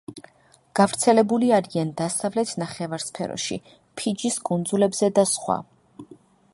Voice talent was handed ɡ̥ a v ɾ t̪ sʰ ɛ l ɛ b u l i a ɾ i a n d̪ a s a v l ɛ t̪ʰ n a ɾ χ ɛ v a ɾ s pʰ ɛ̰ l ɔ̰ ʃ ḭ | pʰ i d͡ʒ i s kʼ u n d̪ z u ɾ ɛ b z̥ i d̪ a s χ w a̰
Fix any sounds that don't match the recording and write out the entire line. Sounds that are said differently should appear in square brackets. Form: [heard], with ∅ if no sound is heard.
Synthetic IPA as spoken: ɡ̥ a v ɾ t̪ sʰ ɛ l ɛ b u l i a ɾ i a n d̪ a s a v l ɛ t̪ʰ n a [∅] χ ɛ v a ɾ s pʰ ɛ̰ [ɾ] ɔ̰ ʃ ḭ | pʰ i d͡ʒ i s kʼ u n d̪ z u [l] ɛ b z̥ [ɛ] d̪ a s χ w a̰